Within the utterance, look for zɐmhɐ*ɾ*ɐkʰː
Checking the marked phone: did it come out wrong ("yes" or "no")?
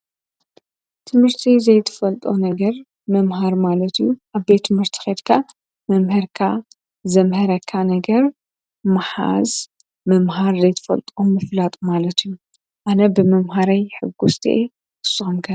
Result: no